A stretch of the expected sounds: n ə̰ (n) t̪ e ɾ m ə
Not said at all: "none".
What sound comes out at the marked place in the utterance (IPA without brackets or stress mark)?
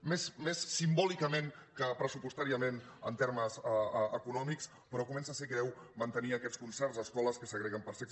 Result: n